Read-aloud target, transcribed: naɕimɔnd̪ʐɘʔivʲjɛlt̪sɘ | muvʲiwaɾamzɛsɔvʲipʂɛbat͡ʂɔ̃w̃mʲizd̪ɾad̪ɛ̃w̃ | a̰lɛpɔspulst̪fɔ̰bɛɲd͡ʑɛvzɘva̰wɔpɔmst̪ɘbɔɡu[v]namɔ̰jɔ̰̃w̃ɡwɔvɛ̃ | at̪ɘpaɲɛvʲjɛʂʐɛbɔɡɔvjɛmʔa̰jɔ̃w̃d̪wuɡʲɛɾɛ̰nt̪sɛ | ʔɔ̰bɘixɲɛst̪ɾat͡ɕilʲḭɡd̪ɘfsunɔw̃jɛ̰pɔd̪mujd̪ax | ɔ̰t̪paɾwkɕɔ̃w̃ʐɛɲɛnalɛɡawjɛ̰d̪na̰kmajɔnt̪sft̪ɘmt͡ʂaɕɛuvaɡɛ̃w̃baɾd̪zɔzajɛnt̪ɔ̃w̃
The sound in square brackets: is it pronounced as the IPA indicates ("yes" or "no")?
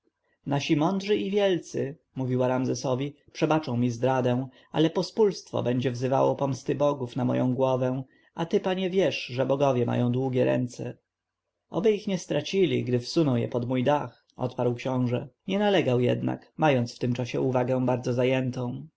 no